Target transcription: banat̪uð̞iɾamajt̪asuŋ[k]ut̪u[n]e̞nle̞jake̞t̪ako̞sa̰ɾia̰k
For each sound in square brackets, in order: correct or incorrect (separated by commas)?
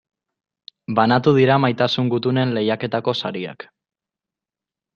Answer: incorrect, correct